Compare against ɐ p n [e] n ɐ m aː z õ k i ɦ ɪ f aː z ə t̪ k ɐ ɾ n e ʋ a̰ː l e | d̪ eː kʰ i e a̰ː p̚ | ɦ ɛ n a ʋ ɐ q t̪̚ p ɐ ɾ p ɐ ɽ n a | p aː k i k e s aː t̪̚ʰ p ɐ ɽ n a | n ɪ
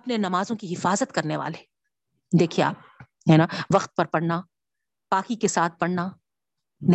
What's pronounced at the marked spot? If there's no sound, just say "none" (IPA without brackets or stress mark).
e